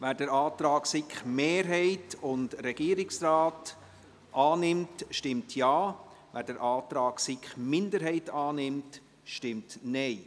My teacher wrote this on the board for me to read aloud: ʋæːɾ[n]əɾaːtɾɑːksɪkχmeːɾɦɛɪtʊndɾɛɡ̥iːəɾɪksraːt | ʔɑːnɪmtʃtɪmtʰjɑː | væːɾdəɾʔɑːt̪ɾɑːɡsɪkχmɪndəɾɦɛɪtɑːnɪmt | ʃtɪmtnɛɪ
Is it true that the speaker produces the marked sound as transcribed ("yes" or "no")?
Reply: no